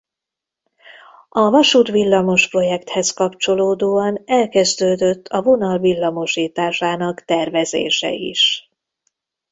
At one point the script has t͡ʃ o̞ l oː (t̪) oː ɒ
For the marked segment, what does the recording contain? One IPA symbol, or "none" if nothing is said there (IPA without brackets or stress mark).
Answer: d̪